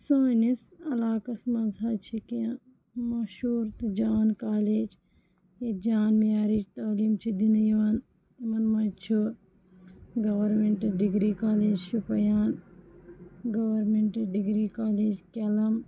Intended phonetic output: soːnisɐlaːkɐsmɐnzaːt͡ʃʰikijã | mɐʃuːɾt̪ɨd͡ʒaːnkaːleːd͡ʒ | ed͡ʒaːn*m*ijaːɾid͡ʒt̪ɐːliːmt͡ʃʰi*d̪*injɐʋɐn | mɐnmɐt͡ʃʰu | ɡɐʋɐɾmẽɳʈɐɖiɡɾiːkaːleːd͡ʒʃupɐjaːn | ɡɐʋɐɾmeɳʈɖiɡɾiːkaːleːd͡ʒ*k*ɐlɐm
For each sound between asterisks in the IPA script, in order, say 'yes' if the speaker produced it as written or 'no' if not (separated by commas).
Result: yes, yes, yes